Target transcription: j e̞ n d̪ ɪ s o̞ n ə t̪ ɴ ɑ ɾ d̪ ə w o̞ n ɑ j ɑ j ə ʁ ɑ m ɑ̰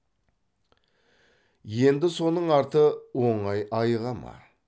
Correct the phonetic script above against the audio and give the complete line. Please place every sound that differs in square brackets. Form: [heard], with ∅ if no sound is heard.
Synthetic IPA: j e̞ n d̪ ɪ s o̞ n ə [∅] ɴ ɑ ɾ [t̪] ə w o̞ [ɴ] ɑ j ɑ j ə ʁ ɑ m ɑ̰